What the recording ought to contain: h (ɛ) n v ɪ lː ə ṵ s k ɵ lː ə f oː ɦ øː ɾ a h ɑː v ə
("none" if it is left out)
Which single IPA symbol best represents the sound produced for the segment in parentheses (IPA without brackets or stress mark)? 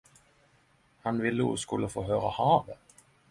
a